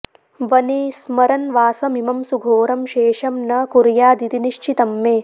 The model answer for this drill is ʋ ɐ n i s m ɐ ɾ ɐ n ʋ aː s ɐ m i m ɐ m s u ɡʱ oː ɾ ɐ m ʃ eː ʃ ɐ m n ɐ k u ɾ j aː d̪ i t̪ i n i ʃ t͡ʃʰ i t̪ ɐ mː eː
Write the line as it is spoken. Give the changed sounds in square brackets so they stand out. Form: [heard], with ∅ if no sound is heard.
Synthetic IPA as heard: ʋ ɐ n i s m ɐ ɾ ɐ n ʋ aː s ɐ m i m ɐ m s u ɡʱ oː ɾ ɐ m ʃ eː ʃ ɐ m n ɐ k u ɾ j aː d̪ i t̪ i n i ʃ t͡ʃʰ i t̪ ɐ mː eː